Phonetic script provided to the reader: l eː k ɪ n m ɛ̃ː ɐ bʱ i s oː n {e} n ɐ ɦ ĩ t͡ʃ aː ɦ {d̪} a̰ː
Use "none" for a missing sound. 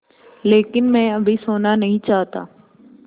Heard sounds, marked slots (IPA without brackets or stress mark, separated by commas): a, t̪